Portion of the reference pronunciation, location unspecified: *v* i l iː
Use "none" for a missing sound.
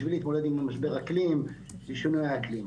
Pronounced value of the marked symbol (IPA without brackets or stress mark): v